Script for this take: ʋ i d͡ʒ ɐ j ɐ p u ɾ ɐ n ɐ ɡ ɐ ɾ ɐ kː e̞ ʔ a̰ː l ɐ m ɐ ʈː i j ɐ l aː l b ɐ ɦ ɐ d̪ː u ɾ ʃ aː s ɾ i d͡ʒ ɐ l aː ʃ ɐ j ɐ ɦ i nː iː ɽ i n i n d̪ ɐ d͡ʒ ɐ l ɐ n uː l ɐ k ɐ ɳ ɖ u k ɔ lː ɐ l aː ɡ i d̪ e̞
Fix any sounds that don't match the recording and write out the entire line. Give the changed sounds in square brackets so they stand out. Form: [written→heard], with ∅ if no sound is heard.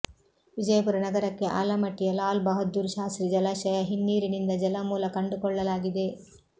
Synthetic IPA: ʋ i d͡ʒ ɐ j ɐ p u ɾ ɐ n ɐ ɡ ɐ ɾ ɐ kː e̞ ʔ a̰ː l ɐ m ɐ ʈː i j ɐ l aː l b ɐ ɦ ɐ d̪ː u ɾ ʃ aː s ɾ i d͡ʒ ɐ l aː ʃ ɐ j ɐ ɦ i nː iː [ɽ→ɾ] i n i n d̪ ɐ d͡ʒ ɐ l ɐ [n→m] uː l ɐ k ɐ ɳ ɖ u k ɔ [lː→ɭː] ɐ l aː ɡ i d̪ e̞